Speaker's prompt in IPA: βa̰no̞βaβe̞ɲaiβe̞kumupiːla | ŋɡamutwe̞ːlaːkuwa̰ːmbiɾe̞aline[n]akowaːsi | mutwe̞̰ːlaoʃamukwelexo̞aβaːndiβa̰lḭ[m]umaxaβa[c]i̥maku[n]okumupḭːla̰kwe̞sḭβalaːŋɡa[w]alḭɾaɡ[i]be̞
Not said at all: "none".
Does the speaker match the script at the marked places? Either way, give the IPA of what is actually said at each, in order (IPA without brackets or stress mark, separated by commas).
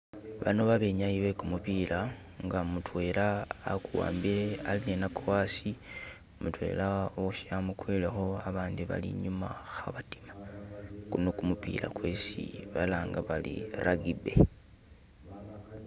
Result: n, ɲ, t, n, β, i